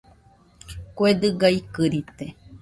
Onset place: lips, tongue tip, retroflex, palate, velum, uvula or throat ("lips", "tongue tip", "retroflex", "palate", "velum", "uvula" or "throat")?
velum